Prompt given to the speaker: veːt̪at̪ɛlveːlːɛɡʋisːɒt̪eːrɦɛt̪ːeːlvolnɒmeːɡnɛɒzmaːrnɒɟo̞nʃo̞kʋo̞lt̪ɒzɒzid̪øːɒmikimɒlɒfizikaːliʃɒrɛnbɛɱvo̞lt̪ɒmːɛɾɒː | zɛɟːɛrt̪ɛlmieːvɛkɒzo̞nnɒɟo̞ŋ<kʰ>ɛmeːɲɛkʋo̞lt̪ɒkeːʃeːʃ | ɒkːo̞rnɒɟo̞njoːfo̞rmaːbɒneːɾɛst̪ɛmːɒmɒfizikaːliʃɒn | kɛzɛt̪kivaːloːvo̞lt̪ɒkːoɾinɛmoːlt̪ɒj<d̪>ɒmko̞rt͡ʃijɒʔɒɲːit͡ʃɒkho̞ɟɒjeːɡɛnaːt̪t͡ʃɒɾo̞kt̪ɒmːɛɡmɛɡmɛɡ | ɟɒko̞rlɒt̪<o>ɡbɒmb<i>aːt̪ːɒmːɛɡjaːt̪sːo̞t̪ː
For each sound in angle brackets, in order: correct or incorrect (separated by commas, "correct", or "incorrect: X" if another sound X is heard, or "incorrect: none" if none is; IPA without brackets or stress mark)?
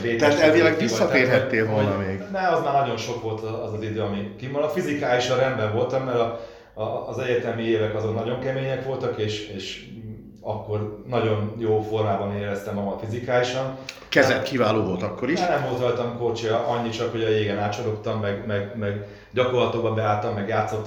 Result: incorrect: k, incorrect: t̪, correct, incorrect: ɛ